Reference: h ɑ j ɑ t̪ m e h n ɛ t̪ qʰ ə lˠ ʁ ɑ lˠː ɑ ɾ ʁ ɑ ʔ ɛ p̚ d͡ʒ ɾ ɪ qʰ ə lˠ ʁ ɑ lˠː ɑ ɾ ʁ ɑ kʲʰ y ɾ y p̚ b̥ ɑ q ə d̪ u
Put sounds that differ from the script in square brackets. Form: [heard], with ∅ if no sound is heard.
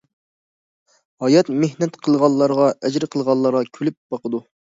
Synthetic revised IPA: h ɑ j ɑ t̪ m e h n ɛ t̪ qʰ ə lˠ ʁ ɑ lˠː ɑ ɾ ʁ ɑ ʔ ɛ [∅] d͡ʒ ɾ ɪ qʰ ə lˠ ʁ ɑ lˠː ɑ ɾ ʁ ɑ kʲʰ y [l] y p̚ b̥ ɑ q ə d̪ u